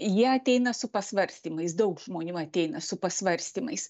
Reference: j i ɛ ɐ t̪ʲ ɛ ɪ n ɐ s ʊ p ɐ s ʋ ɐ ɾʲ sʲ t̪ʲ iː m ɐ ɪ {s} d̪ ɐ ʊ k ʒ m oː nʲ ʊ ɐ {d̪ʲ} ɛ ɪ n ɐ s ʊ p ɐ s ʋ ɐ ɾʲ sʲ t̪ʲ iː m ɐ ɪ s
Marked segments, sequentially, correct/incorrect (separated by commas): correct, incorrect